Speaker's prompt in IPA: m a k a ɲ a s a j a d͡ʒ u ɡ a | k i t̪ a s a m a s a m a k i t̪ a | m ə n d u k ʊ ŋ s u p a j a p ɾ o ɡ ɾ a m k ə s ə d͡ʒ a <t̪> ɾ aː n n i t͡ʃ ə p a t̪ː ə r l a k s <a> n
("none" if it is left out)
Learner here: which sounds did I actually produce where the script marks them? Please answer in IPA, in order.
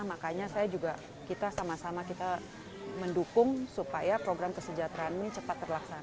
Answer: t̪, a

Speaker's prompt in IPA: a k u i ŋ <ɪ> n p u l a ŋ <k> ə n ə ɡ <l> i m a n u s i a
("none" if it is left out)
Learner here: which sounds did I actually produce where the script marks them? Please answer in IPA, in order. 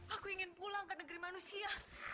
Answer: ɪ, k, ɾ

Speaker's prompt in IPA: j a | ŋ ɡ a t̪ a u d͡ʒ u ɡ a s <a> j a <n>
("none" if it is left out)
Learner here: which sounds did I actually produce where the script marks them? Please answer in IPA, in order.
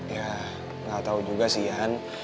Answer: i, n

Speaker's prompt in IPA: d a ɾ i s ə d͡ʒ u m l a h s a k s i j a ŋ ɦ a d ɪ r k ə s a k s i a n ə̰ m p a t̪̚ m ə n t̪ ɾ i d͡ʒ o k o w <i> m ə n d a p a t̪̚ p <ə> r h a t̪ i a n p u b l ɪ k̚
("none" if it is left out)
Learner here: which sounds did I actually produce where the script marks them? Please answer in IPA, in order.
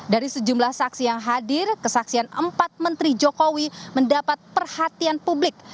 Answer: i, ə

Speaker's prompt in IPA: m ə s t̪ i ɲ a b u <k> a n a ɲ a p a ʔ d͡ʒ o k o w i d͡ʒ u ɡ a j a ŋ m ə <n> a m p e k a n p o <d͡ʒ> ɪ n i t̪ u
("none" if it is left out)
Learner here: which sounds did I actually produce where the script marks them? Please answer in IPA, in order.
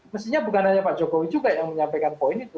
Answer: k, ɲ, none

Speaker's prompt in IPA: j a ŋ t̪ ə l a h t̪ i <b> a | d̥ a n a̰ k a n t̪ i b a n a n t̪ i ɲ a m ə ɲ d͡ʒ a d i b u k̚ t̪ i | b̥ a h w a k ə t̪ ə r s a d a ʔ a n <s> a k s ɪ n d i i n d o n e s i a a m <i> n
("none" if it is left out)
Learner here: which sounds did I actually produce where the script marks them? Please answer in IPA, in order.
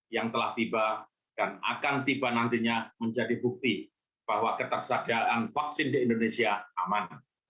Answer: b, f, a

